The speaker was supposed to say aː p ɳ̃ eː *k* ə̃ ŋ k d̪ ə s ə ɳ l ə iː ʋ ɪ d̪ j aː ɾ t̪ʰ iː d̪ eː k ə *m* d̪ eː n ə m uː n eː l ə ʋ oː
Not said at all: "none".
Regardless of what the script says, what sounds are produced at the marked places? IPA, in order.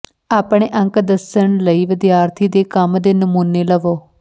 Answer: ʔ, m

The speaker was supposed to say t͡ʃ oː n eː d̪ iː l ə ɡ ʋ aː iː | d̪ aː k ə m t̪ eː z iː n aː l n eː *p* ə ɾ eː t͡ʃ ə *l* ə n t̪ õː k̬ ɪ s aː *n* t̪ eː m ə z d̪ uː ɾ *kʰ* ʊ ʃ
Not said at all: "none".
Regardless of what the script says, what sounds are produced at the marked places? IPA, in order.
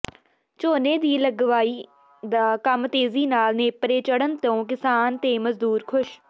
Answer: p, ɽ, n, kʰ

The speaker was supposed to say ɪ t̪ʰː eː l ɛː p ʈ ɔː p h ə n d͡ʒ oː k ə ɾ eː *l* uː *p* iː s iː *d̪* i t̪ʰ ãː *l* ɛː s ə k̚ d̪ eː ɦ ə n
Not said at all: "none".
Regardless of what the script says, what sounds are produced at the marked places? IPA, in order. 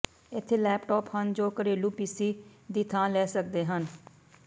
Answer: l, p, d̪, l

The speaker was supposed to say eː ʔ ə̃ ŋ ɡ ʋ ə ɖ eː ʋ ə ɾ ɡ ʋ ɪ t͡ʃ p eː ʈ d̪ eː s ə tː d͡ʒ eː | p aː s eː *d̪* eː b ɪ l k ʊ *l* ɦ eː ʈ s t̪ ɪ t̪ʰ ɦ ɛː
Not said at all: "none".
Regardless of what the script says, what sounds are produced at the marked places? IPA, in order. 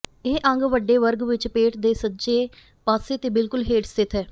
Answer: t̪, l

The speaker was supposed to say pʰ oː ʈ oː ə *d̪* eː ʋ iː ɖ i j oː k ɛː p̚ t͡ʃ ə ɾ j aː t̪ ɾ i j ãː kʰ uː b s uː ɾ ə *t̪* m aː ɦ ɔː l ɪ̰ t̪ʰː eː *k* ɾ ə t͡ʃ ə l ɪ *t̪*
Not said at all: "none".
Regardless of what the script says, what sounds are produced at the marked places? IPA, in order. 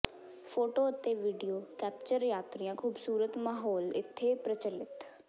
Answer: t̪, t̪, p, t̪

